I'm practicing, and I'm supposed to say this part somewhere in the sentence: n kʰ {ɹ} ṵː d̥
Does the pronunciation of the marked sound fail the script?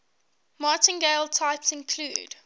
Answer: yes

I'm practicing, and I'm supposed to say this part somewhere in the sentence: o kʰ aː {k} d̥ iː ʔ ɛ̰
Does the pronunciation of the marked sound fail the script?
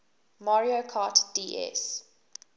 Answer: yes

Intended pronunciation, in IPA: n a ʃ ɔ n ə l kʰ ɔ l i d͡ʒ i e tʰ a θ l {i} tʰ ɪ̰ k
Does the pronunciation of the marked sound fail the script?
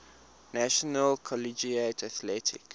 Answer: yes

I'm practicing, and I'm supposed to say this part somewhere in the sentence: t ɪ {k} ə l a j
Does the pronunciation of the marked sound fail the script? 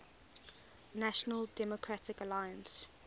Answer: no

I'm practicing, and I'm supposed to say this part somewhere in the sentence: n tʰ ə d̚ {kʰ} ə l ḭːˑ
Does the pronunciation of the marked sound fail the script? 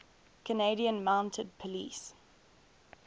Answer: yes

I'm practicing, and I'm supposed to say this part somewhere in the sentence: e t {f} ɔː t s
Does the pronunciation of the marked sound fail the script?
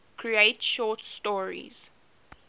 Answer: yes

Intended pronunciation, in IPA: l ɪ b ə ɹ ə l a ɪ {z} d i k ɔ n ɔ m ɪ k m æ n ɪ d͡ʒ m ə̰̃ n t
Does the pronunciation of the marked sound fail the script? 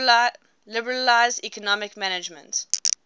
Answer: no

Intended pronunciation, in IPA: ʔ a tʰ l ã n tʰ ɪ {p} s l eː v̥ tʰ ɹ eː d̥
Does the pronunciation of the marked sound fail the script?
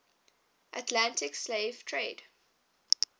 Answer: yes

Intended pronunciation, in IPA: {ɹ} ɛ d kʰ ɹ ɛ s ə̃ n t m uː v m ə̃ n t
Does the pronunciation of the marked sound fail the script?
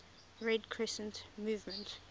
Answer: no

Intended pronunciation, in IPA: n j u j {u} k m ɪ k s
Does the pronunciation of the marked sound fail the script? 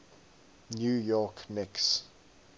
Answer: yes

